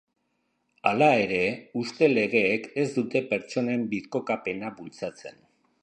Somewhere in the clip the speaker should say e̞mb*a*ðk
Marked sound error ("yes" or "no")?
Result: yes